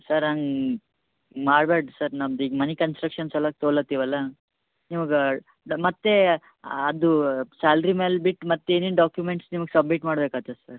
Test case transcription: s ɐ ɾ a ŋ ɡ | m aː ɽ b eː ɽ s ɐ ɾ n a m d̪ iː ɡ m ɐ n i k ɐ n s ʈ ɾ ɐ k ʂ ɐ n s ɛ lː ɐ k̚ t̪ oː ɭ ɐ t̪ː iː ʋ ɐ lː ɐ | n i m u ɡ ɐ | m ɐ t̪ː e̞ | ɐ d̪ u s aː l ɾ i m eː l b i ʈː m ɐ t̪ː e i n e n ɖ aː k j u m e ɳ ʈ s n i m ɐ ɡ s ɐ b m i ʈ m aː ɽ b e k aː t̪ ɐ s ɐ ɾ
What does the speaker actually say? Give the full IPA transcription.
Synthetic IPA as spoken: s ɐ ɾ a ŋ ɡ | m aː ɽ b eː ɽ s ɐ ɾ n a m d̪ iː ɡ m ɐ n i k ɐ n s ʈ ɾ ɐ k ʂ ɐ n s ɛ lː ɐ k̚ t̪ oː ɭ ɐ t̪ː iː ʋ ɐ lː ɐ | n i m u ɡ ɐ | m ɐ t̪ː e̞ | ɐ d̪ u s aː l ɾ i m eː l b i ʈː m ɐ t̪ː e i n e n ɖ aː k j u m e ɳ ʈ s n i m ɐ ɡ s ɐ b m i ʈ m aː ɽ b e k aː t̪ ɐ s ɐ ɾ